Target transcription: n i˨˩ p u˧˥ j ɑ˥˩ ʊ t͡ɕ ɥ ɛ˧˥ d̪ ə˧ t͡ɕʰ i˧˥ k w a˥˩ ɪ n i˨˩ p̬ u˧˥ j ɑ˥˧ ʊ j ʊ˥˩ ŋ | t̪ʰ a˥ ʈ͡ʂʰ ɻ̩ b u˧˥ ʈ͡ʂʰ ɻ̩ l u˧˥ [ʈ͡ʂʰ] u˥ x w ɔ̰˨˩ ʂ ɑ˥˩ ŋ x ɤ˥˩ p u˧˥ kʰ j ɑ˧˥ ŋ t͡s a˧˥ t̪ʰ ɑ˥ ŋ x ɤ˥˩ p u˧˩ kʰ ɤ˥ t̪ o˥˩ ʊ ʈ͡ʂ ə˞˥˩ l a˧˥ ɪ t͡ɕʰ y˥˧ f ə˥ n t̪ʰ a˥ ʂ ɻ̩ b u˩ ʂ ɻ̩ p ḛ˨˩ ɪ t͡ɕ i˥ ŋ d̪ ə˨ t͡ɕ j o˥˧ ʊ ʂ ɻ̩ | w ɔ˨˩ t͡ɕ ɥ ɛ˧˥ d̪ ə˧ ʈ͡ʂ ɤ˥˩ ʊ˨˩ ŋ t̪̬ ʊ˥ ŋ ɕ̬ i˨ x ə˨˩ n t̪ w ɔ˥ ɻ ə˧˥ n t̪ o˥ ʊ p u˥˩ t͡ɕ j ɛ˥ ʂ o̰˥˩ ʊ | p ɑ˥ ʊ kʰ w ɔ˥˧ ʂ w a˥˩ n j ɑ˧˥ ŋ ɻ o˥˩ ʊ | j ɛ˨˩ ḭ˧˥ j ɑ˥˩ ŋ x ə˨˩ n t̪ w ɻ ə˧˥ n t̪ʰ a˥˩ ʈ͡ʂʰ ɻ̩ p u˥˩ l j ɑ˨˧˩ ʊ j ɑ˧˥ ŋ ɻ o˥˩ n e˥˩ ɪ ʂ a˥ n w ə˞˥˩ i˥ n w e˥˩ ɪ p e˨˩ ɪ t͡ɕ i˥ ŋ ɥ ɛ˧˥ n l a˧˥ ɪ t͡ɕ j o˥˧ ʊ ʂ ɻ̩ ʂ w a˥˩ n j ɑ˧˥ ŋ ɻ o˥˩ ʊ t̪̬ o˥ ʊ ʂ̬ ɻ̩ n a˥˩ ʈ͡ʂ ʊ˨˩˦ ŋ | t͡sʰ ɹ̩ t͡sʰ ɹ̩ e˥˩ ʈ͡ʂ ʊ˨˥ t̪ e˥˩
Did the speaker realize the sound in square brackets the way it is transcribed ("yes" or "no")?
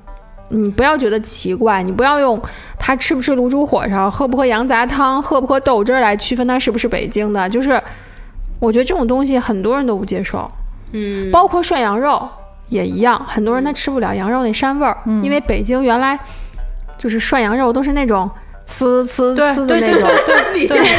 no